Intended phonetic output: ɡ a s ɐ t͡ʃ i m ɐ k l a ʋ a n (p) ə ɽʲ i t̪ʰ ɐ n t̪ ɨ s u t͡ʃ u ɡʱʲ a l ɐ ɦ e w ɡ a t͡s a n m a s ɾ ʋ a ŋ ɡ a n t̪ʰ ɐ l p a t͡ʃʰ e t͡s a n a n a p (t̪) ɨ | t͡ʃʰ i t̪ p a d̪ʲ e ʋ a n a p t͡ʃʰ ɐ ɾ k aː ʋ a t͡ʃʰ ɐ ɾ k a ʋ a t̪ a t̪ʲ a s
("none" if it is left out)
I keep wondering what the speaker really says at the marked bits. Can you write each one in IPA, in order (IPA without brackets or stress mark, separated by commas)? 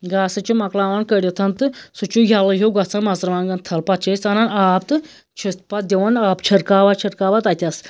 k, t̪